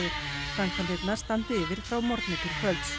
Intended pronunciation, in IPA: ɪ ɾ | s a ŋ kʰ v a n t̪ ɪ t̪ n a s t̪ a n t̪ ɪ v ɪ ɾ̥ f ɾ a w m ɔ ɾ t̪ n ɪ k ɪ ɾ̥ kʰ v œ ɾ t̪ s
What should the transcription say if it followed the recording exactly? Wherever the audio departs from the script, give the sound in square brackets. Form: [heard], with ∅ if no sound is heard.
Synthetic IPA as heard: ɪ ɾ | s a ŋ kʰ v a n t̪ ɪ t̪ n a s t̪ a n t̪ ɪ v ɪ ɾ̥ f ɾ a w m ɔ ɾ t̪ n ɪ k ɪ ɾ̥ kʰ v œ [l] t̪ s